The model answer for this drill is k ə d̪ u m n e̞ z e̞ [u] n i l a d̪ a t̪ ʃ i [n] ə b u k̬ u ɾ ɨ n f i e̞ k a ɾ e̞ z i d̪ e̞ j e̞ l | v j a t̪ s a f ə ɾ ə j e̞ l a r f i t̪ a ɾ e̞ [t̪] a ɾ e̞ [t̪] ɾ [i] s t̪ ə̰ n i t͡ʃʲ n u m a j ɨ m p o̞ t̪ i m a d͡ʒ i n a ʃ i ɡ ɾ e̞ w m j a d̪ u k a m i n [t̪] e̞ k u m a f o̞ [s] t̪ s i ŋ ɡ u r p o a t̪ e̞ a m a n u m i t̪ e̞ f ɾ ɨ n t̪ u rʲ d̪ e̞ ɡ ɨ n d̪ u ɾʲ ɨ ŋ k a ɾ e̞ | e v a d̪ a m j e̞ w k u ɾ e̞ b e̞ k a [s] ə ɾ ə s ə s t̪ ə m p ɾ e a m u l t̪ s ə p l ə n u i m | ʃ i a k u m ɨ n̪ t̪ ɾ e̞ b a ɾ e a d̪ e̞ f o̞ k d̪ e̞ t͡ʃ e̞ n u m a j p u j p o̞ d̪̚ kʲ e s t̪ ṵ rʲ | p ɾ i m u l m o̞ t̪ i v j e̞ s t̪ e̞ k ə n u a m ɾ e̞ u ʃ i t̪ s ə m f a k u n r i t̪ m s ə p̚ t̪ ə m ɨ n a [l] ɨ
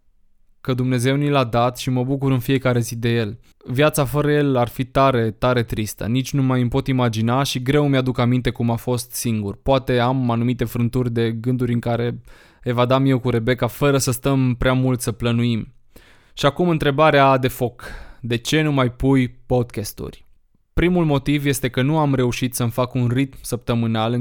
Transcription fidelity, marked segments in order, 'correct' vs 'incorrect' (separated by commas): incorrect, incorrect, correct, correct, correct, correct, correct, incorrect, correct